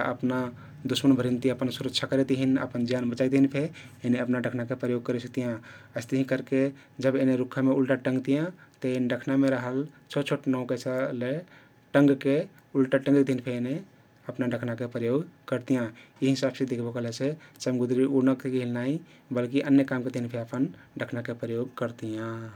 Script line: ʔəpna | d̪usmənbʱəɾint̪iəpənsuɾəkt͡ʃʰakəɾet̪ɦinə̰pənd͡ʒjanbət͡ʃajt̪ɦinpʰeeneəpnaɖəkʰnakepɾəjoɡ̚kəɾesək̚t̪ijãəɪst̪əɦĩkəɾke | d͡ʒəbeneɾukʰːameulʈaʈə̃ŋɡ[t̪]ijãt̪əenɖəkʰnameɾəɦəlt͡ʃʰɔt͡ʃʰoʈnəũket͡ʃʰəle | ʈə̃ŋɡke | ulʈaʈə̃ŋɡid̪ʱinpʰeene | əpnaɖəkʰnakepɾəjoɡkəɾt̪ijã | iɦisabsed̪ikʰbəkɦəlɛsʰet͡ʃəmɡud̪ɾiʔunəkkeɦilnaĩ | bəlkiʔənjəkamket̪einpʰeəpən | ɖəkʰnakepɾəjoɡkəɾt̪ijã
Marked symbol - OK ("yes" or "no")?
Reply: yes